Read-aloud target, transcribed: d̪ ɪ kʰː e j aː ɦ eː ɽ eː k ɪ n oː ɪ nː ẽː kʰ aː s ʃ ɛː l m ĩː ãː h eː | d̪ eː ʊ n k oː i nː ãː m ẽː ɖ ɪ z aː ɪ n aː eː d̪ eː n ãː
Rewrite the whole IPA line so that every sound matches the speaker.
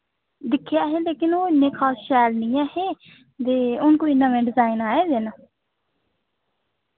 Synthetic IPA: d̪ ɪ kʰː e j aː ɦ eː l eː k ɪ n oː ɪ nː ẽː kʰ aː s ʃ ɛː l n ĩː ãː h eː | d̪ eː ʊ n k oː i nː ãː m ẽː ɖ ɪ z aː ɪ n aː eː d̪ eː n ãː